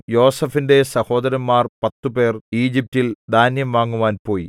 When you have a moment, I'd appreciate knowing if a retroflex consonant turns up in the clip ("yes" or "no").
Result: no